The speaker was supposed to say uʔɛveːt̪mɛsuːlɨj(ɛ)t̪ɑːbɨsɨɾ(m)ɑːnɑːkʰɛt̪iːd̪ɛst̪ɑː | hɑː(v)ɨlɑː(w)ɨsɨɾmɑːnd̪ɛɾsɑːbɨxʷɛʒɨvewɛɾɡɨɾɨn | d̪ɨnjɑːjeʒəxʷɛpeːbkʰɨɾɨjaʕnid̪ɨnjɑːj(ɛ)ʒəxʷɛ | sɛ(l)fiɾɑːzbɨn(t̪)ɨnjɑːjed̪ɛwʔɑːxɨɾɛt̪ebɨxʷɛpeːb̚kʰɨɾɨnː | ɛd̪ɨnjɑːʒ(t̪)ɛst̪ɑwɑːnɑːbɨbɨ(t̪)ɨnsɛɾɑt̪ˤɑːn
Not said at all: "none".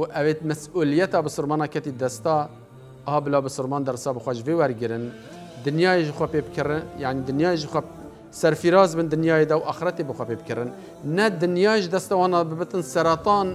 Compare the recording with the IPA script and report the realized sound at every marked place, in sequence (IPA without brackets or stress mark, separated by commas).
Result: ɛ, m, b, b, e, ɾ, d̪, d̪, t̪